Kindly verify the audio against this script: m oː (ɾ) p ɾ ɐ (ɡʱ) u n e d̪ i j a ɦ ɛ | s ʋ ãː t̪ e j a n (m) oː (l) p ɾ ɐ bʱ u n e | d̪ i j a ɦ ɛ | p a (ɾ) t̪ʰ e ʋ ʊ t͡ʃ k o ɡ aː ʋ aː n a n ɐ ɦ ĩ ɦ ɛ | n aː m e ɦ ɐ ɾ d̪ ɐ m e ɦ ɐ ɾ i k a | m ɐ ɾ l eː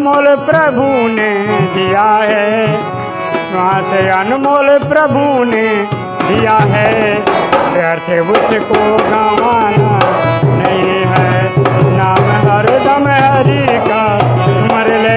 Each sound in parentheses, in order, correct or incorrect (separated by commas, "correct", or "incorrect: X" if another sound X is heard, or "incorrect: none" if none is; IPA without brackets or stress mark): incorrect: l, incorrect: bʱ, correct, correct, correct